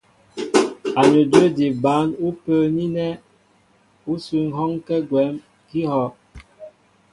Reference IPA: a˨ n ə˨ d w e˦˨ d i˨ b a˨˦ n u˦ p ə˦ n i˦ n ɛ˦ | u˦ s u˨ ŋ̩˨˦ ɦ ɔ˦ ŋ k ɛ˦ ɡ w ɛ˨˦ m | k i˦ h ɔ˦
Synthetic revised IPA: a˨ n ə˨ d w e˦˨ d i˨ b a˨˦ n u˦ p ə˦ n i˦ n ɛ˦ | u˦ s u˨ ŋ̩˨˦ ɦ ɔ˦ ŋ k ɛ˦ ɡ w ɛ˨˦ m | k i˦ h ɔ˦